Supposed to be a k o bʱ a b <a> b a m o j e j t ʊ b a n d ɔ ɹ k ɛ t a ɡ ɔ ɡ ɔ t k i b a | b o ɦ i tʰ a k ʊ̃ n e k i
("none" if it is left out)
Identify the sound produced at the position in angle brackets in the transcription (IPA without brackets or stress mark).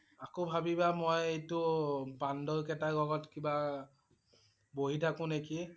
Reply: i